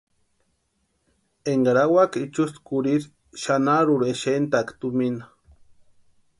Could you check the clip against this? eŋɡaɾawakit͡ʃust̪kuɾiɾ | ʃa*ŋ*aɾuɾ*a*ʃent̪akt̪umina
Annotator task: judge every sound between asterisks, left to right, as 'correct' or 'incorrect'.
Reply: incorrect: n, incorrect: e

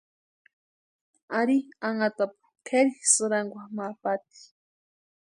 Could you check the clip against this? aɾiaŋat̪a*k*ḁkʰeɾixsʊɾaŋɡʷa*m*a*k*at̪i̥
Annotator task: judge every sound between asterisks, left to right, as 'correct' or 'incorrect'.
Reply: incorrect: p, correct, incorrect: p

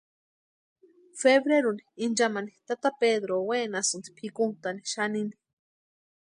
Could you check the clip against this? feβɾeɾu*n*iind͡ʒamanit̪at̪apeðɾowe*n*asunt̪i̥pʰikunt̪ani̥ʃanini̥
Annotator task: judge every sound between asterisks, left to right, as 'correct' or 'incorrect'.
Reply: correct, correct

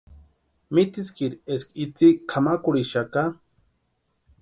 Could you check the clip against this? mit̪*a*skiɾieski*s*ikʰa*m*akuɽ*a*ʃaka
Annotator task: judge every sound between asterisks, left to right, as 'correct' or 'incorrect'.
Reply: incorrect: i, incorrect: t͡s, correct, incorrect: i

